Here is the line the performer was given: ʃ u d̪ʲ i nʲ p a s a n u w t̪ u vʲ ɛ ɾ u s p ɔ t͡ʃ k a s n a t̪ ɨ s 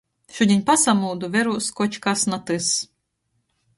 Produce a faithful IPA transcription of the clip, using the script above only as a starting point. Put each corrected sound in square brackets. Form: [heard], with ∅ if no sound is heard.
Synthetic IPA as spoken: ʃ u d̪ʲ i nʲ p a s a [m] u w [d̪] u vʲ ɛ ɾ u s [k] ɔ t͡ʃ k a s n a t̪ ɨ s